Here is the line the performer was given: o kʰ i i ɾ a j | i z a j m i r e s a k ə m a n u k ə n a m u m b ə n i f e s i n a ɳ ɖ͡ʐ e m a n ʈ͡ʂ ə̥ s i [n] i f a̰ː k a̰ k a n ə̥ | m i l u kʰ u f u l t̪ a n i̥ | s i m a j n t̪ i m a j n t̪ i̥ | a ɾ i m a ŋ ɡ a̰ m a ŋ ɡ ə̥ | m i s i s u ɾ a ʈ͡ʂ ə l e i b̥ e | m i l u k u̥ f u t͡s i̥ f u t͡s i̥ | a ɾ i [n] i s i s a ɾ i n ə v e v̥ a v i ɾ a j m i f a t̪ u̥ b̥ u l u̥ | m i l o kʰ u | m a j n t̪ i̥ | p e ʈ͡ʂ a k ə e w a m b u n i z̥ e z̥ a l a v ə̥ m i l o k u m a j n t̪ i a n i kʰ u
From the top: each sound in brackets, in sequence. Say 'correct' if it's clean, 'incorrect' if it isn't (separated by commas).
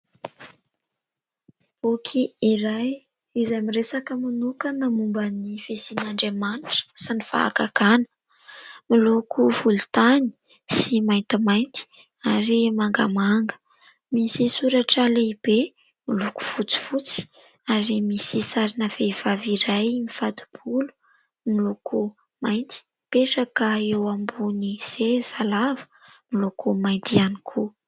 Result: correct, incorrect